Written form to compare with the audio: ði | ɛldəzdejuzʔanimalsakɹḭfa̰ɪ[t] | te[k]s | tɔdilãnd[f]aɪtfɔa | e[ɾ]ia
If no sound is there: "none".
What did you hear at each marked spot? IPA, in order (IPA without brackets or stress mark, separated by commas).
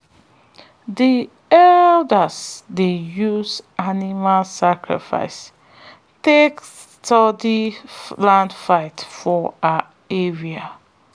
s, k, f, ɹ